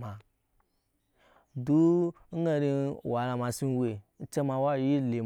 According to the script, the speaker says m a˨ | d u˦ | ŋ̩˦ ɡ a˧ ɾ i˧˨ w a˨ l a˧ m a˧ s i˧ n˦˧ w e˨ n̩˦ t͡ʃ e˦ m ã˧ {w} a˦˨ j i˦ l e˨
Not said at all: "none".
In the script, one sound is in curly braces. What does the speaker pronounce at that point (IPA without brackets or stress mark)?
w